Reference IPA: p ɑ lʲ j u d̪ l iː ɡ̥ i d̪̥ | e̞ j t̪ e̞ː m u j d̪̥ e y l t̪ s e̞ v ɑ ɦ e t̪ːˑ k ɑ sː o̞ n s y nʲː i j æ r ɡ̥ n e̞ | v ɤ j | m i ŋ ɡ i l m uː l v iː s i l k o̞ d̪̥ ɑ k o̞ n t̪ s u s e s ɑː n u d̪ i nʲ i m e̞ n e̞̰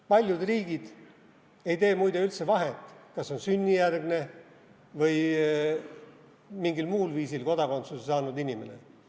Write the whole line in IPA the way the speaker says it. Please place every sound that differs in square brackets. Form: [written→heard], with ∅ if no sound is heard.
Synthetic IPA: p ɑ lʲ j u d̪ [l→r] iː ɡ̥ i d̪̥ | e̞ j t̪ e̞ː m u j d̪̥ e y l t̪ s e̞ v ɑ ɦ e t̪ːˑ k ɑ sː o̞ n s y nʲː i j æ r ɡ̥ n e̞ | v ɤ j | m i ŋ ɡ i l m uː l v iː s i l k o̞ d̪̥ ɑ k o̞ n t̪ s u s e s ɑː n u d̪ i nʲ i m e̞ n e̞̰

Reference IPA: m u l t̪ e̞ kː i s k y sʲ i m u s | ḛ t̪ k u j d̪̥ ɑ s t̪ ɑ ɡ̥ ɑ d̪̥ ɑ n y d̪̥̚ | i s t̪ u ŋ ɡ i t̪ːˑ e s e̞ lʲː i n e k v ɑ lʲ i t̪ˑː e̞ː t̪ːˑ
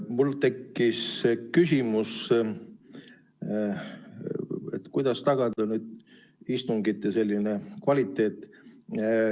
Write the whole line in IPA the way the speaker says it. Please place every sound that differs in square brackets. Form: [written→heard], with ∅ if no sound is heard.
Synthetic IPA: m u l t̪ e̞ kː i s k y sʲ i m u s | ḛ t̪ k u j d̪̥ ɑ s t̪ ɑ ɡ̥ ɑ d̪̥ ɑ n y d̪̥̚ | i s t̪ u ŋ ɡ i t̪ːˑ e s e̞ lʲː i n e k v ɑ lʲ i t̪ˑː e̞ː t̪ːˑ

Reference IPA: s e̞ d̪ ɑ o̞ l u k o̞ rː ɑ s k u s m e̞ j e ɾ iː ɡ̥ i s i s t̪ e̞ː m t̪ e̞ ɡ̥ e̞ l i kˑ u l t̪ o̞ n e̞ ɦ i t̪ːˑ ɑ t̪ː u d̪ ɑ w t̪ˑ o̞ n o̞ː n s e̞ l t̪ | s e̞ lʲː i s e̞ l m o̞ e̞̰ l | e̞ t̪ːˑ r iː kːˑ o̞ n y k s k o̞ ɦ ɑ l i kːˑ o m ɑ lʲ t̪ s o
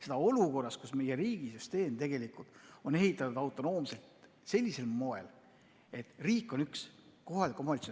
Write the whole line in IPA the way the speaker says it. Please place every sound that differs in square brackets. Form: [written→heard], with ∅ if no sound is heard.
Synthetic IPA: s e̞ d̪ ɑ o̞ l u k o̞ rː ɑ s k u s m e̞ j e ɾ iː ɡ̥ i s [i→y] s t̪ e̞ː m t̪ e̞ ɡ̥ e̞ l i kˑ u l t̪ o̞ n e̞ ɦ i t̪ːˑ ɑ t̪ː u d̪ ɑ w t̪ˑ o̞ n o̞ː [n→m] s e̞ l t̪ | s e̞ lʲː i s e̞ l m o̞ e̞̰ l | e̞ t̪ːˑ r iː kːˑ o̞ n y k s k o̞ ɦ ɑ l i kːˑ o m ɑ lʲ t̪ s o

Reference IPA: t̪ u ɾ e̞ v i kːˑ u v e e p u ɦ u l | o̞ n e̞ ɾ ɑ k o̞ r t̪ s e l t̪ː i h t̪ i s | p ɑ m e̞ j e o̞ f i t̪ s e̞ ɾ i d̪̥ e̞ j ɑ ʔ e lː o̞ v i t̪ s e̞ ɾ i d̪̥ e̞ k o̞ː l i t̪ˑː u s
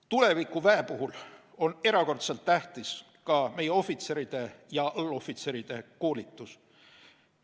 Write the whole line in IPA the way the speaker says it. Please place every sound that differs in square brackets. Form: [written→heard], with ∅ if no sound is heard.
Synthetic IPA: t̪ u [ɾ→l] e̞ v i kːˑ u v [e→æ] e p u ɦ u l | o̞ n e̞ ɾ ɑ k o̞ r t̪ s e l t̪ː [i→æ] h t̪ i s | [p→k] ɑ m e̞ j e o̞ f i t̪ s e̞ ɾ i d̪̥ e̞ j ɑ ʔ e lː o̞ [v→f] i t̪ s e̞ ɾ i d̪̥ e̞ k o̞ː l i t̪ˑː u s

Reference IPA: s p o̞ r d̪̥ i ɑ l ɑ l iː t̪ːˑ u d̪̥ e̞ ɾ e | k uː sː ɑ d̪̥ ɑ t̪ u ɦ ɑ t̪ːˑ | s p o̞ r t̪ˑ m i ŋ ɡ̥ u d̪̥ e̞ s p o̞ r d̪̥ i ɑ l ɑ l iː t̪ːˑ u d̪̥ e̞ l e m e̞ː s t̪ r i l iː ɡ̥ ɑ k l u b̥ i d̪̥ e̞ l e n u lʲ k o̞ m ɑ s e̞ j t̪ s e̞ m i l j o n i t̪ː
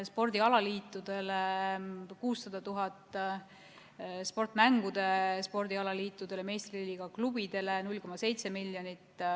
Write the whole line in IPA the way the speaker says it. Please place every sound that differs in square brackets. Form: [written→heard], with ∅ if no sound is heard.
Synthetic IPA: s p o̞ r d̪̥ i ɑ l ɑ l iː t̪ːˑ u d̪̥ e̞ [ɾ→l] e | k uː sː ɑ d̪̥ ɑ t̪ u ɦ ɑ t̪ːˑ | s p o̞ r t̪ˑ m [i→æ] ŋ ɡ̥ u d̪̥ e̞ s p o̞ r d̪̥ i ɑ l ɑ l iː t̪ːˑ u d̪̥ e̞ l e m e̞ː s t̪ r i l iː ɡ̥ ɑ k l u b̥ i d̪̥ e̞ l e n u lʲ k o̞ m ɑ s e̞ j t̪ s e̞ m i l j o n i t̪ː

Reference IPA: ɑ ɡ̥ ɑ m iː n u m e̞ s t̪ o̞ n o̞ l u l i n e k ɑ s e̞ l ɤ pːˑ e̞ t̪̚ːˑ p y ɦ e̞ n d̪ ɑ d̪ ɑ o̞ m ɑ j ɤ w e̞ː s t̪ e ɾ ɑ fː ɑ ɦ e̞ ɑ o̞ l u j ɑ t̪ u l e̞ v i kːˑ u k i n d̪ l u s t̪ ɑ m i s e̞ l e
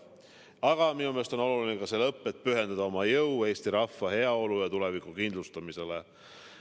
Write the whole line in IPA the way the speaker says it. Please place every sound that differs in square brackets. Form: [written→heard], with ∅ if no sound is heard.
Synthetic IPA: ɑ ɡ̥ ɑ m [iː→i] n u m e̞ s t̪ o̞ n o̞ l u l i n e k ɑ s e̞ l ɤ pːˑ e̞ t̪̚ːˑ p y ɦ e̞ n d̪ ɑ d̪ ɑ o̞ m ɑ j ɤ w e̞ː s t̪ [e→i] ɾ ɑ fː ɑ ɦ e̞ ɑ o̞ l u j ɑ t̪ u l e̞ v i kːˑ u k i n d̪ l u s t̪ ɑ m i s e̞ l e

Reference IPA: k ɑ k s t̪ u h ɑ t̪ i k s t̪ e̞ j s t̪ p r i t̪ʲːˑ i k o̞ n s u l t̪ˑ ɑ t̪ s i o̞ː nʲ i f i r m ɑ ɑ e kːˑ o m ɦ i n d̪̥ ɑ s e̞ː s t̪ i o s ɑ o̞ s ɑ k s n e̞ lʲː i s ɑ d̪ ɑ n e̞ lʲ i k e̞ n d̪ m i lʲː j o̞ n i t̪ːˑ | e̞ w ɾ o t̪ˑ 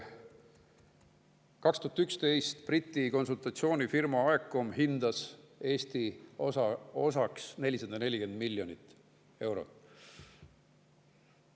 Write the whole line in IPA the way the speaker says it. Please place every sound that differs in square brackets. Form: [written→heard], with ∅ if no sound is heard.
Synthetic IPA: k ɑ k s t̪ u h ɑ t̪ [i→y] k s t̪ e̞ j s t̪ p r i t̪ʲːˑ i k o̞ n s u l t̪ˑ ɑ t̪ s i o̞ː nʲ i f i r m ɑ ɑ e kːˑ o m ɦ i n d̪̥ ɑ s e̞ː s t̪ i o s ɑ o̞ s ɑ k s n e̞ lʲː i s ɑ d̪ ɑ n e̞ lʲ i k e̞ n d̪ m i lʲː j o̞ n i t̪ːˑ | e̞ w ɾ o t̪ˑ

